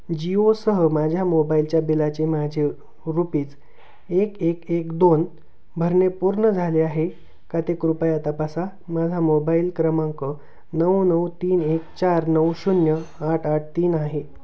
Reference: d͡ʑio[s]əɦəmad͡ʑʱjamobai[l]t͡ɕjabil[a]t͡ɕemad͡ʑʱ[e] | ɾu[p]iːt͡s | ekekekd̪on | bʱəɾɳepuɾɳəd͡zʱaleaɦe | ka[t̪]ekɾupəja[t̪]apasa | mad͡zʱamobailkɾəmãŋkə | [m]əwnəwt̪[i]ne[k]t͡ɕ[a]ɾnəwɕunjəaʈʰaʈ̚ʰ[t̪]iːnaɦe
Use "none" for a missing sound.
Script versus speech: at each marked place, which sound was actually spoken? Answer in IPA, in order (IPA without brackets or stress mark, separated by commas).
s, l, a, e, p, t̪, t̪, n, iː, k, a, t̪